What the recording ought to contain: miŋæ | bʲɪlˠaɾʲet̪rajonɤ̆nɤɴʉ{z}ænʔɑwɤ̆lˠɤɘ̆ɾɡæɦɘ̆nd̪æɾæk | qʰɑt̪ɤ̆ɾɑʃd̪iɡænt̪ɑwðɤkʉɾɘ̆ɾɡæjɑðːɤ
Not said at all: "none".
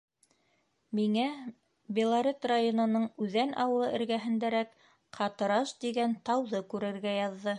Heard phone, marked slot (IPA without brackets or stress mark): ð